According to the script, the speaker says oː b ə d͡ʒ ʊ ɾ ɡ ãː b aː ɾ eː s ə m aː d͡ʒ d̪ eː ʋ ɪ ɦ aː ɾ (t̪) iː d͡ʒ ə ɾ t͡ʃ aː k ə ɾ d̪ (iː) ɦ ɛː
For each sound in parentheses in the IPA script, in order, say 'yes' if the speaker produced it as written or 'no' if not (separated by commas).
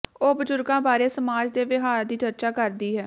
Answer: no, yes